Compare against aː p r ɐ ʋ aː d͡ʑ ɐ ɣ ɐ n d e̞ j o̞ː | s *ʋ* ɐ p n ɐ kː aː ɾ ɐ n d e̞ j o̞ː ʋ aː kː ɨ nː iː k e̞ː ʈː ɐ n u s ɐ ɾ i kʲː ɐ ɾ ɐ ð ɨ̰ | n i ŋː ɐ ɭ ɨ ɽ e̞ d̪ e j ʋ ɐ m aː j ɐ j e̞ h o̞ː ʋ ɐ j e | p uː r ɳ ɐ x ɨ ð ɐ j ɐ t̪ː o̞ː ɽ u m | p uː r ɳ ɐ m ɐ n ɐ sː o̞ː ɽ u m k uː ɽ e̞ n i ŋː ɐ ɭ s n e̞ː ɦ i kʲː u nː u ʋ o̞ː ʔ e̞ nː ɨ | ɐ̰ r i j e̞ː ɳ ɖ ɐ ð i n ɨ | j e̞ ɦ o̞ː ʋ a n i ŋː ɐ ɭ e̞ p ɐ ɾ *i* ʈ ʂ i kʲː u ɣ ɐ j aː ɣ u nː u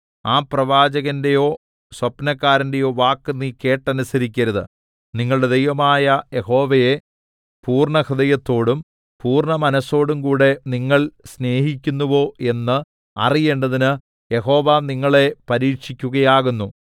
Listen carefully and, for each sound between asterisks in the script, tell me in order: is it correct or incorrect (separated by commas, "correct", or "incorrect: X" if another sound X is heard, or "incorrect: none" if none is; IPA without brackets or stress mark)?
incorrect: w, incorrect: iː